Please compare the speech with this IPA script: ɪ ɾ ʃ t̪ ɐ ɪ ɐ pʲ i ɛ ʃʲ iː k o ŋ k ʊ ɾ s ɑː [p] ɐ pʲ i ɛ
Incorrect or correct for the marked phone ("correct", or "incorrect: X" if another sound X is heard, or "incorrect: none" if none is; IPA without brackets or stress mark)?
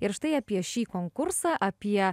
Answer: incorrect: ʔ